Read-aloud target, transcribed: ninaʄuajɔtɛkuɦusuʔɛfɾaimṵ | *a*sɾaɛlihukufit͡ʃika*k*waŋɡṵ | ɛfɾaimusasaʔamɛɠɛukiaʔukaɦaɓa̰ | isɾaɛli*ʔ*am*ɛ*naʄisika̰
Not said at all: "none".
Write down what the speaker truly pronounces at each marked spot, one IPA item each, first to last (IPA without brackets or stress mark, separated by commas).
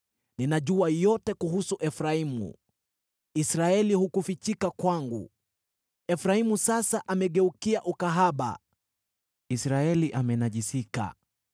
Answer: i, k, ʔ, ɛ